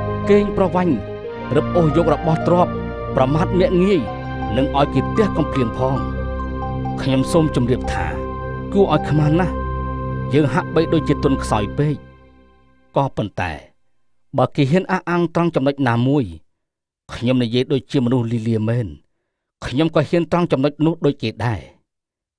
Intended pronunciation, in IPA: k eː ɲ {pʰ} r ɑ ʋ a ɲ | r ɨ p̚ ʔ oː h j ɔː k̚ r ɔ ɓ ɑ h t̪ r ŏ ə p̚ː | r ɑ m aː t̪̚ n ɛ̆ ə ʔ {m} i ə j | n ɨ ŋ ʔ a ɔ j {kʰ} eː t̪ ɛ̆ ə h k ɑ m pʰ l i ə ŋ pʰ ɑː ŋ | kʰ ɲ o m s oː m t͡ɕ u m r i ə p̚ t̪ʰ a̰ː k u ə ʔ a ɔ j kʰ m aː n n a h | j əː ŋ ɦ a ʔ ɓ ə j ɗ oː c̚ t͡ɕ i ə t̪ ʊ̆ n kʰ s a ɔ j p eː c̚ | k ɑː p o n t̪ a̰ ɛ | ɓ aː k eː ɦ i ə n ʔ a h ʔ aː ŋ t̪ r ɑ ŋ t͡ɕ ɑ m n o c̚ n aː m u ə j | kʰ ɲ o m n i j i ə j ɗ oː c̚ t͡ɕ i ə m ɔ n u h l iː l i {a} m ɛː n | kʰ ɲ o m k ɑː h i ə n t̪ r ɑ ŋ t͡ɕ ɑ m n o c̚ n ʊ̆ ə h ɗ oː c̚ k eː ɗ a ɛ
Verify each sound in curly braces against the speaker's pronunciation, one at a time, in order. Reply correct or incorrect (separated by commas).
incorrect, incorrect, incorrect, incorrect